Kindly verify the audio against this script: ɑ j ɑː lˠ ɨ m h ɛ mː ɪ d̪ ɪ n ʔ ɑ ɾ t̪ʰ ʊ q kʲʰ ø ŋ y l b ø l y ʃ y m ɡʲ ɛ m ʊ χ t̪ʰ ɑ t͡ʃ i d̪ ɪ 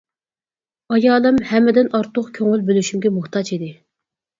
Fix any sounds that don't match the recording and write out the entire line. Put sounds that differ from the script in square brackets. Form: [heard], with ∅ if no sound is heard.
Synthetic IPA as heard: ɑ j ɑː lˠ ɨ m h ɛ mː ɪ d̪ ɪ n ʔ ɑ ɾ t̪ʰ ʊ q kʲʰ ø ŋ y l b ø l y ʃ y m ɡʲ ɛ m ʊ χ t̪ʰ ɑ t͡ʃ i d̪ ɪ